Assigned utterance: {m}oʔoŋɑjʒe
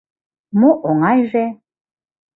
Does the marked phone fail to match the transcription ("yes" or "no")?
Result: no